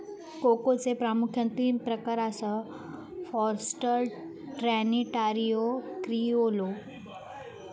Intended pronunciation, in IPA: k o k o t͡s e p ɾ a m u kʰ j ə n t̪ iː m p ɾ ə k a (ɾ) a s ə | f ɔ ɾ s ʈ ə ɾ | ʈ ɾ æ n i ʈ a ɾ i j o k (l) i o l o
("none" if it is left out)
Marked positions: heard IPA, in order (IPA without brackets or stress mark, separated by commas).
ɾ, ɾ